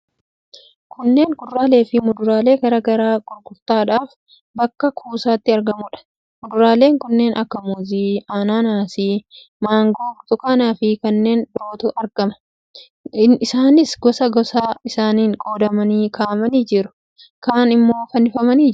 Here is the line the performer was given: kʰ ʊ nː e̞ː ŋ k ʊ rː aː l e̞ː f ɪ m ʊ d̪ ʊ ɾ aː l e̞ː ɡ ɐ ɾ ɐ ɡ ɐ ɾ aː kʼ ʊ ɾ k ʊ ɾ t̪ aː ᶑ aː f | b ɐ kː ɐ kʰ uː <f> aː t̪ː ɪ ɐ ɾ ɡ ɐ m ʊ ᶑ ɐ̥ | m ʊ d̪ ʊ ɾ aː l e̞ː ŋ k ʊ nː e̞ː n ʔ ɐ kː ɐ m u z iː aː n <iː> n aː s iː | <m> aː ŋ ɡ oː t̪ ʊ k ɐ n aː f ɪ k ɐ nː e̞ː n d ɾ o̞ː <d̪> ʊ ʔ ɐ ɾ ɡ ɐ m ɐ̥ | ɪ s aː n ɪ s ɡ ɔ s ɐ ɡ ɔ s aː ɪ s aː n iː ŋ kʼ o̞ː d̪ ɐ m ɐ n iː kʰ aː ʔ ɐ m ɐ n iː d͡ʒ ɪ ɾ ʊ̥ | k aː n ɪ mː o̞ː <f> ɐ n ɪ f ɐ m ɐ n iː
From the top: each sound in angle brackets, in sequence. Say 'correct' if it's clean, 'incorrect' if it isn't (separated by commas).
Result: incorrect, incorrect, correct, incorrect, correct